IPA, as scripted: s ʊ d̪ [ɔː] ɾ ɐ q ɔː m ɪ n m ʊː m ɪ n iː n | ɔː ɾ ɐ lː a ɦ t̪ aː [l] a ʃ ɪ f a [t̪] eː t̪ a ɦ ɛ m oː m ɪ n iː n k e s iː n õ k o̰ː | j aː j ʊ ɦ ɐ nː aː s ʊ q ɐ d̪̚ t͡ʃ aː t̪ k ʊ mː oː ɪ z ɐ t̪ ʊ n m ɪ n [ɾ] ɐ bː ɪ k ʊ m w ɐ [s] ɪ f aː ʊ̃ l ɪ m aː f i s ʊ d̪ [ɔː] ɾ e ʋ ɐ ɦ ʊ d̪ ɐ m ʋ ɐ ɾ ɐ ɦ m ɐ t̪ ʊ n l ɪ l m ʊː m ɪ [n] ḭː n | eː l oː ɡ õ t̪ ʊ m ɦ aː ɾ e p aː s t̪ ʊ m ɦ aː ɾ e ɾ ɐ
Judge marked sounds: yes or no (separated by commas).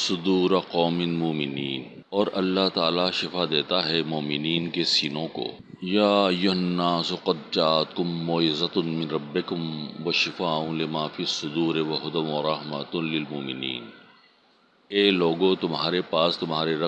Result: no, yes, no, yes, no, no, yes